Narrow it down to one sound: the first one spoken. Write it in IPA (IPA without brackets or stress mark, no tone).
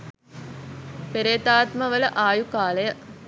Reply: p